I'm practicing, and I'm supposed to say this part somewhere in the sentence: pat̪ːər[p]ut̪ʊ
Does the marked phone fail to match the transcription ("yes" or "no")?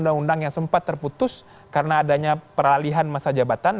no